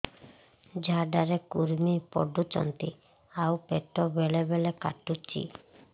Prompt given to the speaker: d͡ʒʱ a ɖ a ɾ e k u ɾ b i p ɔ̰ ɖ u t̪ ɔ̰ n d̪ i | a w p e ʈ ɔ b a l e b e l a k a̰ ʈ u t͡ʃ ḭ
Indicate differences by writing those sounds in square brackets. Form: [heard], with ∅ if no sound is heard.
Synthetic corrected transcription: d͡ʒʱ a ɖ a ɾ e k u ɾ [m] i p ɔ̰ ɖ u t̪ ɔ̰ n [t̪] i | a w p e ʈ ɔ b [e] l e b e l [e] k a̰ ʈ u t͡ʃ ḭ